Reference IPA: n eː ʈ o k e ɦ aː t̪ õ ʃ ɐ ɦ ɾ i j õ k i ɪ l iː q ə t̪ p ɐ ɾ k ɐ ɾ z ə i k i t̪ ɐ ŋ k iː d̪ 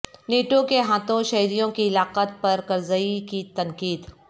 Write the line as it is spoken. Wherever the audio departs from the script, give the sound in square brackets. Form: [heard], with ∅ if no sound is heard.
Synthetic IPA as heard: n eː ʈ o k e ɦ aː t̪ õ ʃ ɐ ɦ ɾ i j õ k i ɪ l [aː] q ə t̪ p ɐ ɾ k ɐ ɾ z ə i k i t̪ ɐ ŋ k iː d̪

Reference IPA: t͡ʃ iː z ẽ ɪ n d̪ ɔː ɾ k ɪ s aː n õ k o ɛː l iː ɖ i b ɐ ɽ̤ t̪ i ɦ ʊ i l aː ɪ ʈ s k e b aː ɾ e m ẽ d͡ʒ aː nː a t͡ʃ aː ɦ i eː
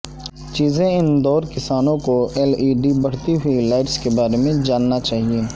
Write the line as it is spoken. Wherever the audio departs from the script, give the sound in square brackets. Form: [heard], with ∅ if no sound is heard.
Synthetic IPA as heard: t͡ʃ iː z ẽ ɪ n d̪ ɔː ɾ k ɪ s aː n õ k o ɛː l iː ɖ i b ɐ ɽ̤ t̪ i ɦ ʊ i l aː ɪ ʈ s k e b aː ɾ e m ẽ d͡ʒ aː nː a t͡ʃ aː ɦ i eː

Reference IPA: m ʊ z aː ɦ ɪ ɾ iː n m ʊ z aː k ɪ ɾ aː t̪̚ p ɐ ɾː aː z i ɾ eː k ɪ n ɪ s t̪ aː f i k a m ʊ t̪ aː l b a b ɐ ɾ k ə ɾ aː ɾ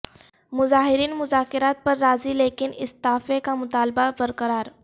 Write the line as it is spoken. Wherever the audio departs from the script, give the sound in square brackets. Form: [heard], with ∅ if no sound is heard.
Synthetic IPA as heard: m ʊ z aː ɦ ɪ ɾ iː n m ʊ z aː k ɪ ɾ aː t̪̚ p ɐ ɾː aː z i [l] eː k ɪ n ɪ s t̪ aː f [e] k a m ʊ t̪ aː l b a b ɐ ɾ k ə ɾ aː ɾ

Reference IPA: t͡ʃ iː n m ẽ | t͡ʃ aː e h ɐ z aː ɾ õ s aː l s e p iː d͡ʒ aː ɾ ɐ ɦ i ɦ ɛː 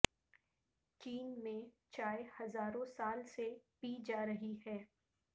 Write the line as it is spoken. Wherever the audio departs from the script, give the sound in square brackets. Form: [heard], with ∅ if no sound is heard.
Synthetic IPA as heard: t͡ʃ iː n m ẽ | t͡ʃ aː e h ɐ z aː ɾ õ s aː l s e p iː d͡ʒ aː ɾ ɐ ɦ i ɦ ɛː

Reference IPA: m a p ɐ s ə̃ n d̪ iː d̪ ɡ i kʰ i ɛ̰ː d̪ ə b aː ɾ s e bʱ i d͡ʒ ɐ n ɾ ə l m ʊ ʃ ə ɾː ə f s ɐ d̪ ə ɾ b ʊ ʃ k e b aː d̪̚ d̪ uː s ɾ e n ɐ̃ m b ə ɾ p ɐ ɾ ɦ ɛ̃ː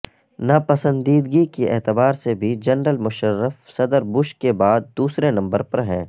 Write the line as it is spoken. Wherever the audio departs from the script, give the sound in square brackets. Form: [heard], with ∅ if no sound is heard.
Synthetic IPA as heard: [n] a p ɐ s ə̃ n d̪ iː d̪ ɡ i [k] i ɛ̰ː [t̪] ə b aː ɾ s e bʱ i d͡ʒ ɐ n ɾ ə l m ʊ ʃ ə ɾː ə f s ɐ d̪ ə ɾ b ʊ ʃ k e b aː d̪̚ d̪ uː s ɾ e n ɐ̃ m b ə ɾ p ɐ ɾ ɦ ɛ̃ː

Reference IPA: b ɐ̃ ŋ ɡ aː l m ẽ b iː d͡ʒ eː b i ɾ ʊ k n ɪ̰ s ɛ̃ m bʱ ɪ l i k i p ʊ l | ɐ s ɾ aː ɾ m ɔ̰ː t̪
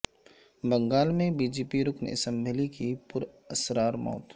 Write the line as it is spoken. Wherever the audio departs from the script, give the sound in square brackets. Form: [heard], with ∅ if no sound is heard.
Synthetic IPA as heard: b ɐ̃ ŋ ɡ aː l m ẽ b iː d͡ʒ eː [p] i ɾ ʊ k n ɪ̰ s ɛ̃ m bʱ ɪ l i k i p ʊ [ɾ] | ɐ s ɾ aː ɾ m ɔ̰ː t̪

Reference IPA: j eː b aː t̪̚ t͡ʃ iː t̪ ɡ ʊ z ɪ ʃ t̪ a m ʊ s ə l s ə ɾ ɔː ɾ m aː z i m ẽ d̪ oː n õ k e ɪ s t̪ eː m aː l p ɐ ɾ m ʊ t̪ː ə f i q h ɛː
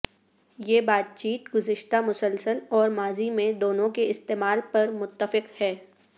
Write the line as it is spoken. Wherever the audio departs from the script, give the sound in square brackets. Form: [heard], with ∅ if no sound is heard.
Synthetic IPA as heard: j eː b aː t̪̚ t͡ʃ iː t̪ ɡ ʊ z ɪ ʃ t̪ a m ʊ s ə l s ə [l] ɔː ɾ m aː z i m ẽ d̪ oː n õ k e ɪ s t̪ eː m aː l p ɐ ɾ m ʊ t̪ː ə f [ɪ] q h ɛː

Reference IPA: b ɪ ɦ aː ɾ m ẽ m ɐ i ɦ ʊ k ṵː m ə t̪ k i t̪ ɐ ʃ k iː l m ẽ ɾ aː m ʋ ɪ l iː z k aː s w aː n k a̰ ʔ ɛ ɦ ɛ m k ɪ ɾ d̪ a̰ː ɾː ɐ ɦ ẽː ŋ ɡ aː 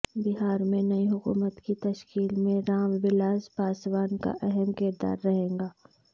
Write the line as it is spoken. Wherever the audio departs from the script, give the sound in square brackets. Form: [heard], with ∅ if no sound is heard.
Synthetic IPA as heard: b ɪ ɦ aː ɾ m ẽ [n] ɐ i ɦ ʊ k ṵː m ə t̪ k i t̪ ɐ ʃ k iː l m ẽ ɾ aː m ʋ ɪ l [aː] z [p] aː s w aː n k a̰ ʔ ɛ ɦ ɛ m k ɪ ɾ d̪ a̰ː ɾː ɐ ɦ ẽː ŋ ɡ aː

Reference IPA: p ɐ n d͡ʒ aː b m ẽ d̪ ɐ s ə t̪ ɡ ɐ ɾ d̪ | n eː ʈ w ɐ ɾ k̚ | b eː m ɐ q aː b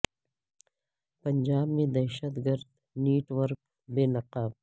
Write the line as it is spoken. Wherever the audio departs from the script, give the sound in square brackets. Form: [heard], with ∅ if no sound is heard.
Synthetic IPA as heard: p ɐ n d͡ʒ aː b m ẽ d̪ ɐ [ʃ] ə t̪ ɡ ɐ ɾ d̪ | n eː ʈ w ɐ ɾ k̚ | b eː [n] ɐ q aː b

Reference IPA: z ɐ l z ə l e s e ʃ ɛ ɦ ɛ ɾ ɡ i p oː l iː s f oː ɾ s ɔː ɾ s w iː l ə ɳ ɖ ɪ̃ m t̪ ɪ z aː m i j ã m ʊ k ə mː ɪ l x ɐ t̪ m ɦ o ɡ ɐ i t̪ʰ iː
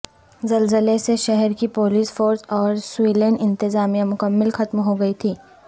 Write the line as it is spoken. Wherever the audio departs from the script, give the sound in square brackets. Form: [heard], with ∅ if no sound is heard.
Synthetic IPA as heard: z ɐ l z ə l e s e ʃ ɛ ɦ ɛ ɾ [k] i p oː l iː s f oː ɾ s ɔː ɾ s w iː l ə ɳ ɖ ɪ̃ [n] t̪ ɪ z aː m i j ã m ʊ k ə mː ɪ l x ɐ t̪ m ɦ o ɡ ɐ i t̪ʰ iː

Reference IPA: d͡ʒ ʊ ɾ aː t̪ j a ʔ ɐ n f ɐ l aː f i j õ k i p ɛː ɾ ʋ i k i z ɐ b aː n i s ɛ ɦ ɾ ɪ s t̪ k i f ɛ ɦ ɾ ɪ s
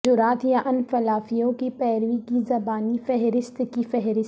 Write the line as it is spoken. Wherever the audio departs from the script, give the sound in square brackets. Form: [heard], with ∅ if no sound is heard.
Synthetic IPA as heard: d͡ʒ ʊ ɾ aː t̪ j a ʔ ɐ n f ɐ l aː f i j õ k i p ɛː ɾ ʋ i k i z ɐ b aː n i [f] ɛ ɦ ɾ ɪ s t̪ k i f ɛ ɦ ɾ ɪ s

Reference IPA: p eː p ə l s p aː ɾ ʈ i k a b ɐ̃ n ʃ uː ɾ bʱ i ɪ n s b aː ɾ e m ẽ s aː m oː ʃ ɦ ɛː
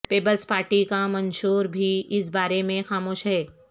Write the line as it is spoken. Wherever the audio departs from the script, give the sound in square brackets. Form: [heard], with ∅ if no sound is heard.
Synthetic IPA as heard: p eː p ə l s p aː ɾ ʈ i k a [m] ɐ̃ n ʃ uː ɾ bʱ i ɪ [∅] s b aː ɾ e m ẽ [x] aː m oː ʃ ɦ ɛː

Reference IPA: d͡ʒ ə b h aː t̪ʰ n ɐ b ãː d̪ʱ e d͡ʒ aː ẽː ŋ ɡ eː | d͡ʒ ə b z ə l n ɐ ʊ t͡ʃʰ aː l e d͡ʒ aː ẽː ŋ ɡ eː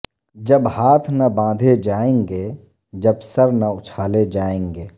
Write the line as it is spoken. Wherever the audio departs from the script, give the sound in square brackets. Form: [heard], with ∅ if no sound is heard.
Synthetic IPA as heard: d͡ʒ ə b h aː t̪ʰ n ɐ b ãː d̪ʱ e d͡ʒ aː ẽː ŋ ɡ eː | d͡ʒ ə b [s] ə [ɾ] n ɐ ʊ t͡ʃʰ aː l e d͡ʒ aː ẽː ŋ ɡ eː

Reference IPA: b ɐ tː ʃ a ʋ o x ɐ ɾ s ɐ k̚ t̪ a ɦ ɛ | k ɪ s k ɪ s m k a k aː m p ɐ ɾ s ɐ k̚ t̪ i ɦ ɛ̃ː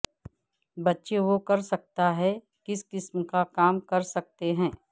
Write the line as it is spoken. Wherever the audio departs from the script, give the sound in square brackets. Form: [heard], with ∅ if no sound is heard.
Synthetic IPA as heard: b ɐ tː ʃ [e] ʋ o [k] ɐ ɾ s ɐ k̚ t̪ a ɦ ɛ | k ɪ s k ɪ s m k a k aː m [k] ɐ ɾ s ɐ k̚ t̪ [e] ɦ ɛ̃ː

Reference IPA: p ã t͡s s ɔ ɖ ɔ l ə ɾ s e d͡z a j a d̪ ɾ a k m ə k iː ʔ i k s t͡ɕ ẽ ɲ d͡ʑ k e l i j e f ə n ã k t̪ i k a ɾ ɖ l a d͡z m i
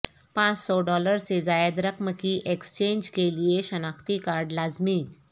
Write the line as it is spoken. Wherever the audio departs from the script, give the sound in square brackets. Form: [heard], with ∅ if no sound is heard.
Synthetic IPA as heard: p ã t͡s s ɔ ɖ ɔ l ə ɾ s e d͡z a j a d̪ ɾ [ə] k m ə k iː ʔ [e] k s t͡ɕ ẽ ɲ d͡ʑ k e l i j e [ɕ] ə n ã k t̪ i k a ɾ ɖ l a d͡z m i

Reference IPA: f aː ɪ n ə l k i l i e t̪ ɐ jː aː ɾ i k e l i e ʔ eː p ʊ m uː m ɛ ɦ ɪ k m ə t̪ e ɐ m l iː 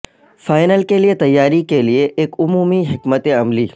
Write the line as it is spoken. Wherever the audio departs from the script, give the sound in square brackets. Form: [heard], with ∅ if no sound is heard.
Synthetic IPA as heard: f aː ɪ n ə l k [e] l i e t̪ ɐ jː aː ɾ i k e l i e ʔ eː [k] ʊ m uː m [i] ɦ ɪ k m ə t̪ e ɐ m l iː

